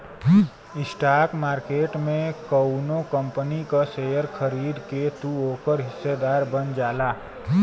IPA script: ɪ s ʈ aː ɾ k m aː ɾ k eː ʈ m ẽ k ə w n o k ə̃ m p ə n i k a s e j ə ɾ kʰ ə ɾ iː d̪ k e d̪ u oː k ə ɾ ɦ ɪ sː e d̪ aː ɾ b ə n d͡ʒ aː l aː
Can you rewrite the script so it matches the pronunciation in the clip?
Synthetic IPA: ɪ s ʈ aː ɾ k m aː ɾ k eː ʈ m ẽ k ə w n o k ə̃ m p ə n i k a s e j ə ɾ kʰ ə ɾ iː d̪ k e t̪ u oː k ə ɾ ɦ ɪ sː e d̪ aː ɾ b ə n d͡ʒ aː l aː

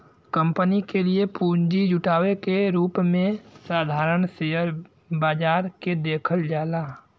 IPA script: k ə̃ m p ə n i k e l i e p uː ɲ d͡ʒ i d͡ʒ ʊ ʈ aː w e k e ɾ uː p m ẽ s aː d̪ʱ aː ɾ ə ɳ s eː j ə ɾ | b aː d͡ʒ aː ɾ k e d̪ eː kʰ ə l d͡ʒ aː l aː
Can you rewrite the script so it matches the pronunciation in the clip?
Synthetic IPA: k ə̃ m p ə n i k e l i e p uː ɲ d͡ʒ i d͡ʒ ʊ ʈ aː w e k e ɾ uː p m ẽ s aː d̪ʱ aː ɾ ə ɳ s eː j ə ɾ | b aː d͡ʒ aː ɾ k e d̪ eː kʰ ə l d͡ʒ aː l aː

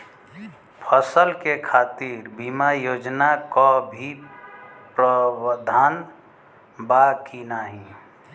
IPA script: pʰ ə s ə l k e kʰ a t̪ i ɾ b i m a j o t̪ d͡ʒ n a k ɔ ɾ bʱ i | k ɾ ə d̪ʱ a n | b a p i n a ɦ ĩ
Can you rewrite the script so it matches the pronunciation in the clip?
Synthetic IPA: pʰ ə s ə l k e kʰ a t̪ i ɾ b i m a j o d͡ʒ n a k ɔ bʱ i | p ɾ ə d̪ʱ a n | b a k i n a ɦ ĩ

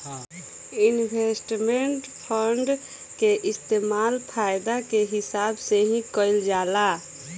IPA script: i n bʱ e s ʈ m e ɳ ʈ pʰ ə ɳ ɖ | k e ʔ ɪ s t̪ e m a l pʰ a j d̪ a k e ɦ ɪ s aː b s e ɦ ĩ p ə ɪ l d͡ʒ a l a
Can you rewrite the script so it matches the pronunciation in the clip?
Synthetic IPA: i n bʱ e s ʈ m e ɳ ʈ pʰ ə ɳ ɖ | k e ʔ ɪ s t̪ e m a l pʰ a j d̪ a k e ɦ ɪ s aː b s e ɦ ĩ k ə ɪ l d͡ʒ a l a

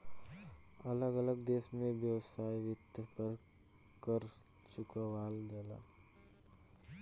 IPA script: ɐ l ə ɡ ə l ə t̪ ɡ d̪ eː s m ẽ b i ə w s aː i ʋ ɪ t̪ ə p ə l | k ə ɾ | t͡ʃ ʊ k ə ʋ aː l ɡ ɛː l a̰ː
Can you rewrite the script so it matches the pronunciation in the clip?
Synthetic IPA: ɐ l ə ɡ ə l ə ɡ d̪ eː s m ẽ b j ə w s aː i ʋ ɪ t̪ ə p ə ɾ | k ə ɾ | t͡ʃ ʊ k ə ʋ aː l ɡ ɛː l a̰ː

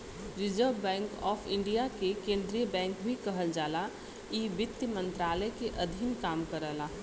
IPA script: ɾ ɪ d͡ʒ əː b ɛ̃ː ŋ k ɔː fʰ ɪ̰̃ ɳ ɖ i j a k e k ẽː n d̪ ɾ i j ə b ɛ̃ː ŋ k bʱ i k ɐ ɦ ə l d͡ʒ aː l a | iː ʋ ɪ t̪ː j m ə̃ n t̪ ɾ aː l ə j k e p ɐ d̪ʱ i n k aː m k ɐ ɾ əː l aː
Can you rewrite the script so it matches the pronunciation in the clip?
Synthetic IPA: ɾ ɪ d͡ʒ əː b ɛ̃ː ŋ k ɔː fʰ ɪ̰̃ ɳ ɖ i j a k e k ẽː n d̪ ɾ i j ə b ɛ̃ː ŋ k bʱ i k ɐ ɦ ə l d͡ʒ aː l a | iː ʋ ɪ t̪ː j m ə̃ n t̪ ɾ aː l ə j k e ʔ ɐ d̪ʱ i n k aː m k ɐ ɾ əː l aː

